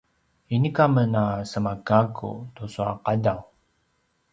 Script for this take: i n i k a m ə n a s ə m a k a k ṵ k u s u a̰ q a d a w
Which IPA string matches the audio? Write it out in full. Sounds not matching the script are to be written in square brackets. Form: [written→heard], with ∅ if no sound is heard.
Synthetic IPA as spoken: i n i k a m ə n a s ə m a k a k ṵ [k→t] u s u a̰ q a d a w